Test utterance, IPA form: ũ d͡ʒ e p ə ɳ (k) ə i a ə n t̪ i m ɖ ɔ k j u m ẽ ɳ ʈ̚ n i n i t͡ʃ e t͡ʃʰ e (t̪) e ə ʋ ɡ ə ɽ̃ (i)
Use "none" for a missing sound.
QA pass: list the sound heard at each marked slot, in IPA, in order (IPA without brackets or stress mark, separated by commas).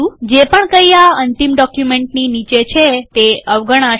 k, t̪, a